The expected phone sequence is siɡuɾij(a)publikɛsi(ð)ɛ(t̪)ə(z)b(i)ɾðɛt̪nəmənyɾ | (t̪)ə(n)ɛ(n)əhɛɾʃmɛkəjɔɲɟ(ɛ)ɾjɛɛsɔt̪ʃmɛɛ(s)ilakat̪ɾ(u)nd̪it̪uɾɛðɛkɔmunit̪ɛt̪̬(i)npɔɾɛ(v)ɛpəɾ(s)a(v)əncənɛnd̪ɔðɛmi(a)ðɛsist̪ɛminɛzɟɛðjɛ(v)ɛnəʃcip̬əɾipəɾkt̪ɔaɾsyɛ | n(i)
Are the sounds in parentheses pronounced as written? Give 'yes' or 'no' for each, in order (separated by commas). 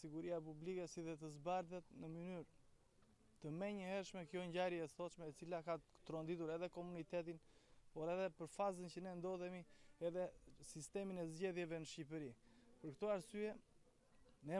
yes, yes, yes, yes, no, yes, no, no, no, no, no, yes, no, no, no, no, yes, no